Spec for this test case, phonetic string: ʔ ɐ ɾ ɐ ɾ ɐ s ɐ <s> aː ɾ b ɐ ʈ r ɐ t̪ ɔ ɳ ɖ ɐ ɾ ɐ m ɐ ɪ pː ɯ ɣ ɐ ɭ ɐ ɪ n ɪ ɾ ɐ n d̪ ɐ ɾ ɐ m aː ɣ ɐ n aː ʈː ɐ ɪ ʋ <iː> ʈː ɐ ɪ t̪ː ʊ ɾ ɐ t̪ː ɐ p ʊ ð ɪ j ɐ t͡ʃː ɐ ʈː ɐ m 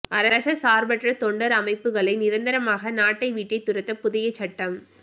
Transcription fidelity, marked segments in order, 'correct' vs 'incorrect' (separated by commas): correct, correct